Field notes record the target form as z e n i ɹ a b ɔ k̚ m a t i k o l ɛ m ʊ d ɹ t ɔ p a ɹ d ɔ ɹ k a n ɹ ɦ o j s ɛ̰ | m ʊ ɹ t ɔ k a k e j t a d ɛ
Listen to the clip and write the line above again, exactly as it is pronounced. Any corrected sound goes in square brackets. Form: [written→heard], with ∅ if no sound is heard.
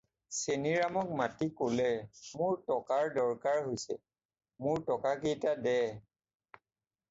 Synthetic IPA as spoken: [z→s] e n i ɹ a [b→m] ɔ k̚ m a t i k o l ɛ m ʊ [d→∅] ɹ t ɔ [p→k] a ɹ d ɔ ɹ k a [n→∅] ɹ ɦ o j s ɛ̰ | m ʊ ɹ t ɔ k a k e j t a d ɛ